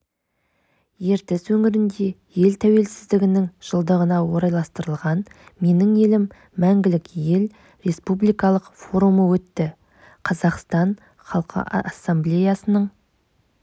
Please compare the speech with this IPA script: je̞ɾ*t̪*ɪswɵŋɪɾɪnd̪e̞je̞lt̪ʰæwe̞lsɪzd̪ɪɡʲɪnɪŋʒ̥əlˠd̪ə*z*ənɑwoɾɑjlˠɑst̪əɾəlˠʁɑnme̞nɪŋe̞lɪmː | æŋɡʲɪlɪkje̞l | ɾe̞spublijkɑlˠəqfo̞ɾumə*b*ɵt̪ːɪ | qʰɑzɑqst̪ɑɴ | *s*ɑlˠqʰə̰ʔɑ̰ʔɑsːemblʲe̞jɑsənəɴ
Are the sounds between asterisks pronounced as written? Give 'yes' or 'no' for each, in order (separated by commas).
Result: yes, no, no, no